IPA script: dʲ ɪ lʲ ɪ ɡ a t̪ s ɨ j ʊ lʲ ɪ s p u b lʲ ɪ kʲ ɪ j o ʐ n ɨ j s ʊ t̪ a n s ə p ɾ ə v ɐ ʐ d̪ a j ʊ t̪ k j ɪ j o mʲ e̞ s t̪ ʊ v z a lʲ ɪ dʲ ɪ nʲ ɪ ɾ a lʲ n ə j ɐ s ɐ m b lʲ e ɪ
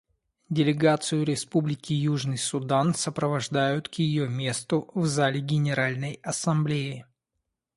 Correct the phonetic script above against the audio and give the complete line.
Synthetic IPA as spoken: dʲ ɪ lʲ ɪ ɡ a t̪ s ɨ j ʊ ɾʲ ɪ s p u b lʲ ɪ kʲ ɪ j u ʐ n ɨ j s ʊ d̪ a n s ə p ɾ ə v ɐ ʐ d̪ a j ʊ t̪ k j ɪ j o mʲ e̞ s t̪ ʊ v z a lʲ ɪ ɡʲ ɪ nʲ ɪ ɾ a lʲ n ə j ɐ s ɐ m b lʲ e ɪ